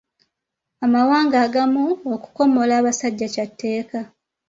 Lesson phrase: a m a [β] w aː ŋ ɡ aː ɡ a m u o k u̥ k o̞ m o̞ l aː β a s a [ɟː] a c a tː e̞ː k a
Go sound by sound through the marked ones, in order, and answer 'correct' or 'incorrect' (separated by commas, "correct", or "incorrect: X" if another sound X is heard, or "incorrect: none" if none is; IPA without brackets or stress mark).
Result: incorrect: none, correct